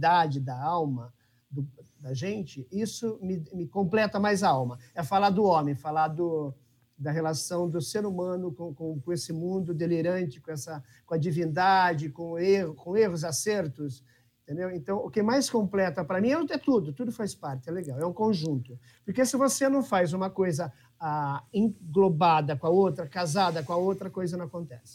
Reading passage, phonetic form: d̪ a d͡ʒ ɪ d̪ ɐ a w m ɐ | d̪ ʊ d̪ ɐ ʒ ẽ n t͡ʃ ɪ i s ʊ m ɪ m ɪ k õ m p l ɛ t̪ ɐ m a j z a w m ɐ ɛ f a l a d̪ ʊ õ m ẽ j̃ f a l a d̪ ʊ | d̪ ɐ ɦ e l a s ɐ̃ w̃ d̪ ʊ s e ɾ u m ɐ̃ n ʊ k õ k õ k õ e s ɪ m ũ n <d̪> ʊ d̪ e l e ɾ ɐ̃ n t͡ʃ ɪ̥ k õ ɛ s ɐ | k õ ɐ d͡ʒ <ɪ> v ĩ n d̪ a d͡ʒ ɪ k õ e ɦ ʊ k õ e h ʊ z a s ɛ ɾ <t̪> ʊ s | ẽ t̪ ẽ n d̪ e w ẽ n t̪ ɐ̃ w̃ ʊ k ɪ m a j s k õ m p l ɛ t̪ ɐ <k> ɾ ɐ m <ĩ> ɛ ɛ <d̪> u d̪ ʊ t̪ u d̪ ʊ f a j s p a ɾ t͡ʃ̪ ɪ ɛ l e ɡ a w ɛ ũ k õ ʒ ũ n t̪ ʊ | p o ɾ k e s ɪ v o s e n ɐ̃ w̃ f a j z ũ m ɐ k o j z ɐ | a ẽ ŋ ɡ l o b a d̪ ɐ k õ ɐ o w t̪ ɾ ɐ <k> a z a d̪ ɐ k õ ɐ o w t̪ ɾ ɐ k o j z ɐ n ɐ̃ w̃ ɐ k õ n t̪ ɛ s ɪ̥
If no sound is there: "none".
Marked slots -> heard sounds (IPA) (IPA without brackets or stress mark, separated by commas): d̪, i, t̪, p, ĩ, t̪, k